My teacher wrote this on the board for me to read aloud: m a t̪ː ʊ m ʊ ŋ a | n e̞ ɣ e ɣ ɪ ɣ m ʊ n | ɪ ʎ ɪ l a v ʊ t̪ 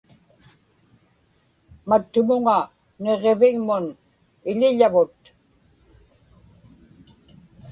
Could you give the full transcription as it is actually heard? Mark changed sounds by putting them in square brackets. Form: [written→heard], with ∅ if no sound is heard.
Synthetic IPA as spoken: m a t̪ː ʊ m ʊ ŋ a | n e̞ [ɣ→ʁ] e [ɣ→v] ɪ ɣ m ʊ n | ɪ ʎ ɪ [l→ʎ] a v ʊ t̪